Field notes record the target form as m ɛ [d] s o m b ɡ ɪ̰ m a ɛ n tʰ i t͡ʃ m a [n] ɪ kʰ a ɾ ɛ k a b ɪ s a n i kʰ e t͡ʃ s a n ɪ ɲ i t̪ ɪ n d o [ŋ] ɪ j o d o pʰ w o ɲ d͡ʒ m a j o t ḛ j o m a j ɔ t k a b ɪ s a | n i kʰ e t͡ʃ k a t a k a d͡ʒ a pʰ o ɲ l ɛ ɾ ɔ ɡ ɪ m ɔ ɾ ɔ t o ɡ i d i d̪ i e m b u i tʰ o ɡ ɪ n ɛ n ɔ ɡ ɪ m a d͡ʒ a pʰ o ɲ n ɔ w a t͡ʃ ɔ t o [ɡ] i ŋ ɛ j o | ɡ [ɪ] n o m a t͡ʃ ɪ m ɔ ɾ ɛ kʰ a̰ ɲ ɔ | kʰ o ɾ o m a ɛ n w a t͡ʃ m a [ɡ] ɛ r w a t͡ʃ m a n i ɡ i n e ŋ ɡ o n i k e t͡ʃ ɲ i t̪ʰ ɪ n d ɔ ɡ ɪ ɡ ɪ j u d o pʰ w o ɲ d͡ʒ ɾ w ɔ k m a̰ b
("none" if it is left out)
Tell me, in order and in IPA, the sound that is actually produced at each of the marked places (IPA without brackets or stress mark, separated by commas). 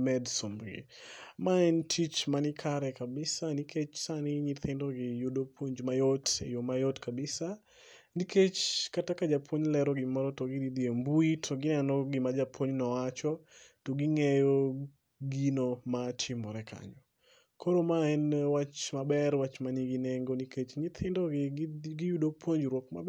d, n, ɡ, ɡ, i, b